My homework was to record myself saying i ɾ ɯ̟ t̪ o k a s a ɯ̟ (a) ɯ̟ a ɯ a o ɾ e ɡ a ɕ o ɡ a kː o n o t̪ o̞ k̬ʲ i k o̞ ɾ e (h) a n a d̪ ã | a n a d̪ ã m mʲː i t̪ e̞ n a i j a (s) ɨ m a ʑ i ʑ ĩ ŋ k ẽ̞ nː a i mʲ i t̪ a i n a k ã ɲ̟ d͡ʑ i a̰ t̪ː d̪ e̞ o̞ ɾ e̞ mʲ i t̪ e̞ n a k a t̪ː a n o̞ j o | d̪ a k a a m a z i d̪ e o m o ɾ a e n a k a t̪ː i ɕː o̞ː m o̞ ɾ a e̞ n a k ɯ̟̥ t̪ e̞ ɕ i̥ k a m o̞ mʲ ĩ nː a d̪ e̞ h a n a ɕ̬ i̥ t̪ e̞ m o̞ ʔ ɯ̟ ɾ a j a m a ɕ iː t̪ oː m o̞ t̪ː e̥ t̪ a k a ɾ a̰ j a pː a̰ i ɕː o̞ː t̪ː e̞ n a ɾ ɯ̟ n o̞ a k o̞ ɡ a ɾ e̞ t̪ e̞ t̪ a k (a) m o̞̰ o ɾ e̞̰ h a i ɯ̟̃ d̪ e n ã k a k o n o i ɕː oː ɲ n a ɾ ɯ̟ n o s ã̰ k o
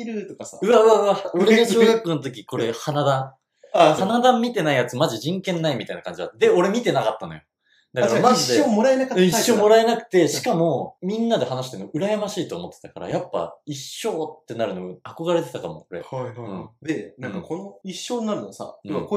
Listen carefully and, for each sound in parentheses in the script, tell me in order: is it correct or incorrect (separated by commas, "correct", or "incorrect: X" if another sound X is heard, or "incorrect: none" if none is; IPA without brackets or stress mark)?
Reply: correct, correct, incorrect: t͡s, correct